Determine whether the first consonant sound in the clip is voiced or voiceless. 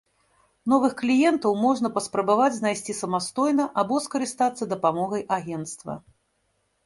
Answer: voiced